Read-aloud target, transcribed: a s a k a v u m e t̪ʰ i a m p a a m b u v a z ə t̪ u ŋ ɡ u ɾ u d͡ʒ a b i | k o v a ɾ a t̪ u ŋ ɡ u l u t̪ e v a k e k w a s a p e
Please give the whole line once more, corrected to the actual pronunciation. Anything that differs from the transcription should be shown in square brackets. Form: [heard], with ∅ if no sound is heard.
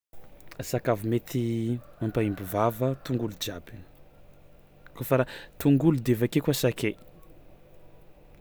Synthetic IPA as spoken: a s a k a v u m e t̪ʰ i a m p a [i] m b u v a [v] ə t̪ u ŋ ɡ u [l] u d͡ʒ a b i | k o [f] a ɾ a t̪ u ŋ ɡ u l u [d̪] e v a k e k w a s a [k] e